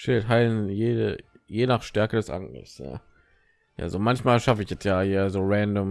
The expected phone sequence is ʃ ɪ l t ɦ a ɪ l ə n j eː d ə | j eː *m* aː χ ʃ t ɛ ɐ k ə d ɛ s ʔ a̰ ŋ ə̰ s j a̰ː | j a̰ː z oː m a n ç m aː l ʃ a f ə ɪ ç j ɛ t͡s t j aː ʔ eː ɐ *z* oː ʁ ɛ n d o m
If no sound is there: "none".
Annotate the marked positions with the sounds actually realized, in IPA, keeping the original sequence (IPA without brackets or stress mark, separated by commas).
n, z